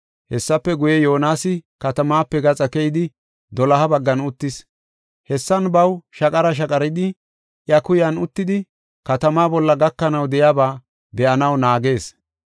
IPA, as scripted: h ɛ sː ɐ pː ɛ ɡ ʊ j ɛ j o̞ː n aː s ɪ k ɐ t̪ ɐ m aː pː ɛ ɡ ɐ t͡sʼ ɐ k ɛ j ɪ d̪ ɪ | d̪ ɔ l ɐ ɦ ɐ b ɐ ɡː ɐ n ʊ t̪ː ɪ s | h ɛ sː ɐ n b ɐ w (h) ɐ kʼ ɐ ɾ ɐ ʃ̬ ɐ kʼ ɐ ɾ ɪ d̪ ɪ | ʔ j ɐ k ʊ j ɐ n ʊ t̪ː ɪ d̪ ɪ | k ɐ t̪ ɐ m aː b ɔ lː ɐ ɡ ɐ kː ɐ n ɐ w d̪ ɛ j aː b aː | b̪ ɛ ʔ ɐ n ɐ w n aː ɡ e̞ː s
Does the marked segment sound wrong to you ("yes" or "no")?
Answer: yes